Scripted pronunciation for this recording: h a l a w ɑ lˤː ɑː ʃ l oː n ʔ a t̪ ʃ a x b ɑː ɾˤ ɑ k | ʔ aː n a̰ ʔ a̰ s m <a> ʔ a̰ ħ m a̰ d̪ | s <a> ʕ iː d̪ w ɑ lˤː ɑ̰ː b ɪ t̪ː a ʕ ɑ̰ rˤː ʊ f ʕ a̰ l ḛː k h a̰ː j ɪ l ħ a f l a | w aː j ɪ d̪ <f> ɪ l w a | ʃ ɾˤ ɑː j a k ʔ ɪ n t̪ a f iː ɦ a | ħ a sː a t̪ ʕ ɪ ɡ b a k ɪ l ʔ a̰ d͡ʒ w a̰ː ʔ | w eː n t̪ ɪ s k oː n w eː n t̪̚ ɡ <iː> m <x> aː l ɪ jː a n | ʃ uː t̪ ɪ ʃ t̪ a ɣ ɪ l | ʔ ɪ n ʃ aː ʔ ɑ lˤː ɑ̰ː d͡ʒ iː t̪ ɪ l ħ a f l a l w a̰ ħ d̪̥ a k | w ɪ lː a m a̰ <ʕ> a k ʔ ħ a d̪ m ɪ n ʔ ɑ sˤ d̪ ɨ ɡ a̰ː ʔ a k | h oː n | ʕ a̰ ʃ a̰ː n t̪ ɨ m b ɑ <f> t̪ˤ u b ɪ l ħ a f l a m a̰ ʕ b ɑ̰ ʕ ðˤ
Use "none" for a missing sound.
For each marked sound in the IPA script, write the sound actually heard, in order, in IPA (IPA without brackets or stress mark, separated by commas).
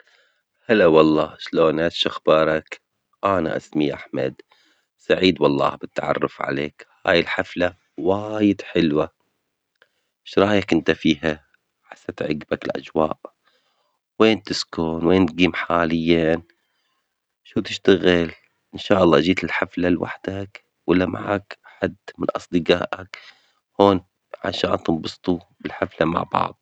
i, a, ħ, iː, ħ, ʕ, s